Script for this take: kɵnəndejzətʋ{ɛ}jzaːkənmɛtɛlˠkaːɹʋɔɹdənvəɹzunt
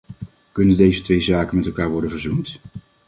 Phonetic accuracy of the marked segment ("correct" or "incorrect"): incorrect